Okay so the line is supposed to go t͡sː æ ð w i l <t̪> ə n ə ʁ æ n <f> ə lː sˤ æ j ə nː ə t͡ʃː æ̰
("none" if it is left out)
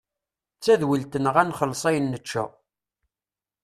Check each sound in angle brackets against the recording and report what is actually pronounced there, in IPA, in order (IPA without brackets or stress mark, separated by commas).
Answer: t̪, χ